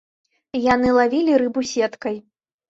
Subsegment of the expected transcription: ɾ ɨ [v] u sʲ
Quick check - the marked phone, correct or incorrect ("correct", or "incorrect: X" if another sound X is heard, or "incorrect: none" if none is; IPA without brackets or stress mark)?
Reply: incorrect: b